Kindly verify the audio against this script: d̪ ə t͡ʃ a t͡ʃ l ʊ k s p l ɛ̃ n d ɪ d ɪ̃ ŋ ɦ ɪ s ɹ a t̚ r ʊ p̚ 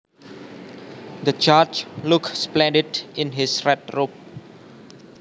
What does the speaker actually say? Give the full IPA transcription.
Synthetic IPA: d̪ ə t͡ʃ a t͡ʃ l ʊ k s p l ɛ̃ n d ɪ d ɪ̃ n ɦ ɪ s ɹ ɛ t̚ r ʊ p̚